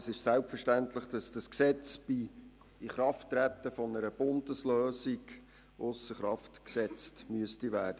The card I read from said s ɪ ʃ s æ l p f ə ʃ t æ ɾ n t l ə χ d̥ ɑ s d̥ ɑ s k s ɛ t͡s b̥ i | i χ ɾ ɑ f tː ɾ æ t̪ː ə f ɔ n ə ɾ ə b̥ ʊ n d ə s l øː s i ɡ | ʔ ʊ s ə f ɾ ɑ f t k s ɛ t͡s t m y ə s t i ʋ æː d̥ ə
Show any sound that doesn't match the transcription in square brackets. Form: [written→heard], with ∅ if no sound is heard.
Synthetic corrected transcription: s ɪ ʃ s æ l p f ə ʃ t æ [ɾ→∅] n t l ə χ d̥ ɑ s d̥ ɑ s k s ɛ t͡s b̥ i | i χ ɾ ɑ f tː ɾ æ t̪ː ə f ɔ n ə ɾ ə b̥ ʊ n d ə s l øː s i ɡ | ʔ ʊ s ə [f→χ] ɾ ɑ f t k s ɛ t͡s t m y ə s t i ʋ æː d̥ ə